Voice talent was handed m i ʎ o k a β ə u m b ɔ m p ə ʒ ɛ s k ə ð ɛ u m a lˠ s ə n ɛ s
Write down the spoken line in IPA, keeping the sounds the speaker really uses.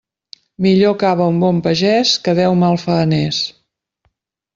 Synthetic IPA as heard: m i ʎ o k a β ə u m b ɔ m p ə ʒ ɛ s k ə ð ɛ w m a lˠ f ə n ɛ s